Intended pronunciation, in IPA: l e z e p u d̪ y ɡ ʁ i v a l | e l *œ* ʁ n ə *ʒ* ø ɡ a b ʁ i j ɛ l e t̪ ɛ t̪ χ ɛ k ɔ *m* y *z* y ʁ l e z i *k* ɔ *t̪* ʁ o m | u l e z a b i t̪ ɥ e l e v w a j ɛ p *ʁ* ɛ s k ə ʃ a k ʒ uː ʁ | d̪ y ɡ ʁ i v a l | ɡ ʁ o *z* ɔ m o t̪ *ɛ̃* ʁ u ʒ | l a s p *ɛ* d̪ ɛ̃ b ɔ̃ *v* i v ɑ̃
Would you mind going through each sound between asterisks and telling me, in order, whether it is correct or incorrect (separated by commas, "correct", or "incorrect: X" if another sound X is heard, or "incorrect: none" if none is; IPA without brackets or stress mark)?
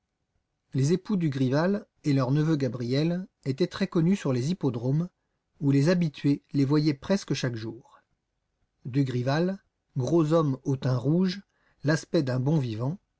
correct, incorrect: v, incorrect: n, incorrect: s, incorrect: p, incorrect: d̪, incorrect: χ, correct, correct, correct, correct